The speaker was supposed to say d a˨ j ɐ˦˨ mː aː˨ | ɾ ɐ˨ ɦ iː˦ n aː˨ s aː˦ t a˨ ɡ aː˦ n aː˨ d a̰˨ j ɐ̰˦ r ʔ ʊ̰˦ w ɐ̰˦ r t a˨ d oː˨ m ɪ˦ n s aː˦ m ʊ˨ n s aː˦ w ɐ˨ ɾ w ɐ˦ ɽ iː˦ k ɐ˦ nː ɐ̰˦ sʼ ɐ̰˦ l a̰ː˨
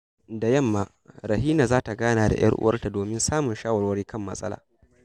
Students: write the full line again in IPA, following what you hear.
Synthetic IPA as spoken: d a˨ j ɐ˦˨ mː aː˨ | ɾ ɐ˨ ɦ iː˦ n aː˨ z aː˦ t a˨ ɡ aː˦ n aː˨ d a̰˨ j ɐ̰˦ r ʔ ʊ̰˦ w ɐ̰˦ r t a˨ d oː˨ m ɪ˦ n s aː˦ m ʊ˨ n ʃ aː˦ w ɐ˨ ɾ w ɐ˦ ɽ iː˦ k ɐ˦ mː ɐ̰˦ sʼ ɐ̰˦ l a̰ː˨